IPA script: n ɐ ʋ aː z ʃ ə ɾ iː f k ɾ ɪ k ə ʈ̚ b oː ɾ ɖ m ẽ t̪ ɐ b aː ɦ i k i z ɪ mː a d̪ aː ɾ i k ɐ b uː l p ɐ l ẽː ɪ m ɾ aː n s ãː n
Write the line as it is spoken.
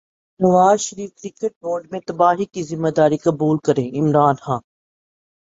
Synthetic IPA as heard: n ɐ ʋ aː z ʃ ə ɾ iː f k ɾ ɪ k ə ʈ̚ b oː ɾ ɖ m ẽ t̪ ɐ b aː ɦ i k i z ɪ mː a d̪ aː ɾ i k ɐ b uː l k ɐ ɾ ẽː ɪ m ɾ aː n x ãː n

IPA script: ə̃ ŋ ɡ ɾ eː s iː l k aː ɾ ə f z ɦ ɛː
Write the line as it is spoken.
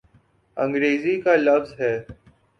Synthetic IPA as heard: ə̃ ŋ ɡ ɾ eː z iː k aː l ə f z ɦ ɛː

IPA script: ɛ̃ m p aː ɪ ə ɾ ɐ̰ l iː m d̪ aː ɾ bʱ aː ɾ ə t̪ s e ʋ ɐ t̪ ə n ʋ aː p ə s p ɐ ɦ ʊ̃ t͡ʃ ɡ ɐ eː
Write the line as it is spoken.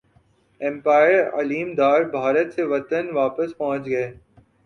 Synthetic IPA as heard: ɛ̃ m p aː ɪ ə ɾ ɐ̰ l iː m d̪ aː ɾ bʱ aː ɾ ə t̪ s e ʋ ɐ t̪ ə n ʋ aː p ə s p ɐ ɦ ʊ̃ t͡ʃ ɡ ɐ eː

